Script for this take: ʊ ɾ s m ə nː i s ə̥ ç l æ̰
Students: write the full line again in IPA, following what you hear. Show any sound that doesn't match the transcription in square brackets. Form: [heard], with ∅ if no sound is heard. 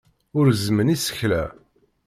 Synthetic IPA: ʊ ɾ [z] m ə [n] i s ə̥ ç l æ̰